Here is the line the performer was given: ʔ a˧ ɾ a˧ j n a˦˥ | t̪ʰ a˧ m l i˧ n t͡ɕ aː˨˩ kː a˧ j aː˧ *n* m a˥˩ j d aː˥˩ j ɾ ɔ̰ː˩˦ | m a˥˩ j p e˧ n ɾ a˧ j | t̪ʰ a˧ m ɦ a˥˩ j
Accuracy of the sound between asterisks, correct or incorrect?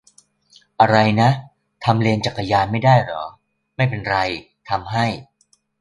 correct